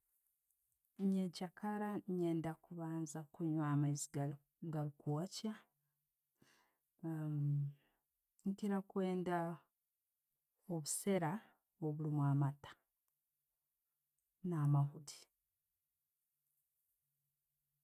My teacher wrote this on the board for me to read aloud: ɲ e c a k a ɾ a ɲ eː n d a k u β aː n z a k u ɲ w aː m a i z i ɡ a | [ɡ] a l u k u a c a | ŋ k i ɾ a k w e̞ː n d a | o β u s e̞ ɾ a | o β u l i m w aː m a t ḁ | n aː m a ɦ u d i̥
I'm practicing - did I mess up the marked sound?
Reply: no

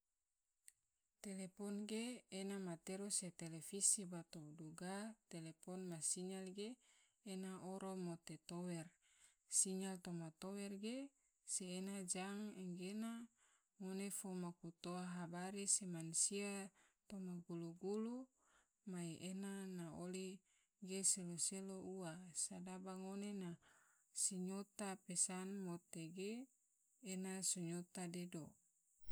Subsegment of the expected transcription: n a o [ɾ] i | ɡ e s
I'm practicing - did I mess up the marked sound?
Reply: yes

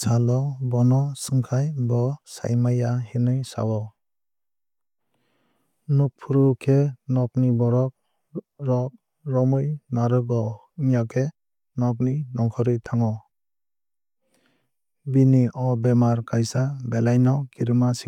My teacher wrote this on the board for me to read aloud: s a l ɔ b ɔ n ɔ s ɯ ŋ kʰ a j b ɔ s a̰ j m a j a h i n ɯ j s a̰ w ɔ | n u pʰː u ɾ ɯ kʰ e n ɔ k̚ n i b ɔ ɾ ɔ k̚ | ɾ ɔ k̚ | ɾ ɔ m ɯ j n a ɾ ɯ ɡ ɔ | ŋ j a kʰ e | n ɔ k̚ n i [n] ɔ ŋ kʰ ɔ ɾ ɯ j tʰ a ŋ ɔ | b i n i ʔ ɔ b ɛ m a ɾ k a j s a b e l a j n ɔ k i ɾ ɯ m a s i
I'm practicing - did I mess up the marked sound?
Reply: no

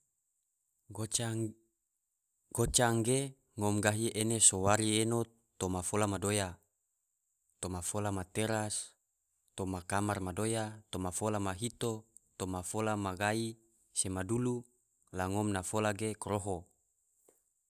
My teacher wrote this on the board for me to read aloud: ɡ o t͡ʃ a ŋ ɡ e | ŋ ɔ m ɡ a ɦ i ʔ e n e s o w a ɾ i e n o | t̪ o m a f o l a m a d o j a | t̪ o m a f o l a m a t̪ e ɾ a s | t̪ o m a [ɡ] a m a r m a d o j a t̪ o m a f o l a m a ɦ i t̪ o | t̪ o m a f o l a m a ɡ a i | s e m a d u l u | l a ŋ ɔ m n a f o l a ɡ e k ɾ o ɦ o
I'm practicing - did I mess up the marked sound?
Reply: yes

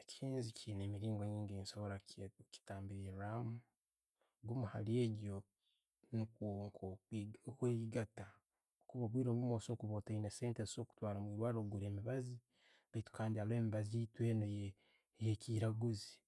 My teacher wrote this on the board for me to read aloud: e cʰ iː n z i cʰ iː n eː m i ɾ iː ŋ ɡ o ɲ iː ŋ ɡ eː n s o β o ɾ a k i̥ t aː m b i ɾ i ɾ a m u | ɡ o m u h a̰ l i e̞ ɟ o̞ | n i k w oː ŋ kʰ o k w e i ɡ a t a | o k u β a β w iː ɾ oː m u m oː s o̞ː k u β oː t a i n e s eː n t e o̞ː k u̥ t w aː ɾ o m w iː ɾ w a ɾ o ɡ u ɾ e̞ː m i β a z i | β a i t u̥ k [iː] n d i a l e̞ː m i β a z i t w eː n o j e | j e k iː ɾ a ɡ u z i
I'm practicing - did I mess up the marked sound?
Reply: yes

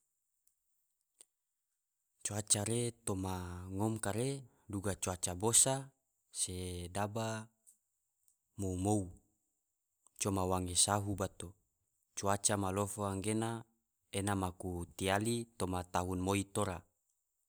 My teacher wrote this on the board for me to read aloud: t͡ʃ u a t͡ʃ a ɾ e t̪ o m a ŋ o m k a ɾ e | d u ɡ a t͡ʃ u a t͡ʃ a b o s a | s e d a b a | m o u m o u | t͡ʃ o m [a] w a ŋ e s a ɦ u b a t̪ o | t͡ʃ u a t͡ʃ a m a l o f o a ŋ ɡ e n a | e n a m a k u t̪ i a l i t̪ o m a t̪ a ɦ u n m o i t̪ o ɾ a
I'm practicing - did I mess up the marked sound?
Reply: no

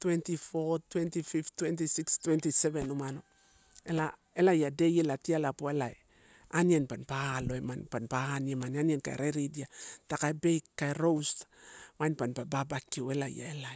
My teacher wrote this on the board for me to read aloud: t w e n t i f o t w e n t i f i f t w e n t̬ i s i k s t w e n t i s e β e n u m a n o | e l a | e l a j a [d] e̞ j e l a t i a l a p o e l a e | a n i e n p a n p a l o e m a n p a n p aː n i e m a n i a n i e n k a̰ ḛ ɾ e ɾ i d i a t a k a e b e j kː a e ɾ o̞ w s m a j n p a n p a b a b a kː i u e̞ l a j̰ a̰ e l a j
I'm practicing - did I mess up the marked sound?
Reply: no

